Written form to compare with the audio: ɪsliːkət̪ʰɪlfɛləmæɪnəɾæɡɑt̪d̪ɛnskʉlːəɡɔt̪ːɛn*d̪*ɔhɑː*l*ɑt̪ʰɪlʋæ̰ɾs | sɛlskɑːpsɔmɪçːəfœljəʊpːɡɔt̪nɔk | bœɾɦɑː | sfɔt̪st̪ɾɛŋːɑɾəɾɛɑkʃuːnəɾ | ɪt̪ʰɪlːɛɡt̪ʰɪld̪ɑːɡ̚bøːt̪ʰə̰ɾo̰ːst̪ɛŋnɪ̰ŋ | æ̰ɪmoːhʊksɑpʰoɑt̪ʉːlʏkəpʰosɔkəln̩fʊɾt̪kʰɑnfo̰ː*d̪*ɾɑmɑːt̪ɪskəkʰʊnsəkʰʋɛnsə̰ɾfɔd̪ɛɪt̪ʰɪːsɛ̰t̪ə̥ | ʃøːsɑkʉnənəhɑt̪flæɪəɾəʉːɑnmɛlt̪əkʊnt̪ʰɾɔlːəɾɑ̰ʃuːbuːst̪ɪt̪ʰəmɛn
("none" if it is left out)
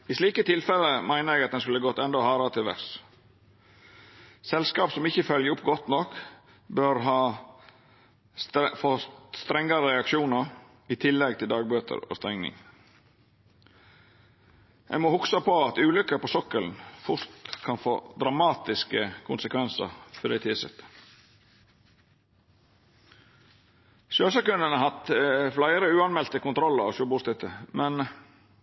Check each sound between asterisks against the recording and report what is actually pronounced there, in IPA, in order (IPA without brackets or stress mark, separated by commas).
d̪, ɾ, d̪